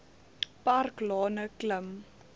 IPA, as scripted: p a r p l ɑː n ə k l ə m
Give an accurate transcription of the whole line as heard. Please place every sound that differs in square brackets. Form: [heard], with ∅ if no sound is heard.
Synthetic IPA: p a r [k] l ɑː n ə k l ə m